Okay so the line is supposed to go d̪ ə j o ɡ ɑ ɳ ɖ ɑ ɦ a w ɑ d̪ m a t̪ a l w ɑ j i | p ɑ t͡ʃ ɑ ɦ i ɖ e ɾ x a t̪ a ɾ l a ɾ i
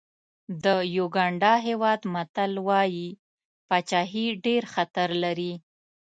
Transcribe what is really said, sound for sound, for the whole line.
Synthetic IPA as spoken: d̪ ə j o ɡ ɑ ɳ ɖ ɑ ɦ e w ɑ d̪ m a t̪ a l w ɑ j i | p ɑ t͡ʃ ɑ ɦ i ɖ e ɾ x a t̪ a ɾ l a ɾ i